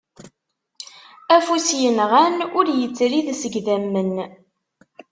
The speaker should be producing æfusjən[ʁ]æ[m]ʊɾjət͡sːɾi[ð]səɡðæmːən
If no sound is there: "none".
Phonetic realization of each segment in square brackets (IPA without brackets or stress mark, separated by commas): ʁ, n, ð